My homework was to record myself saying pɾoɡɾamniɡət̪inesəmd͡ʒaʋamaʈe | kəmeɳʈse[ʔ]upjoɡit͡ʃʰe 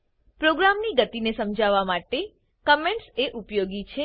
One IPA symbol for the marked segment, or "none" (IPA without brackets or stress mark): ʔ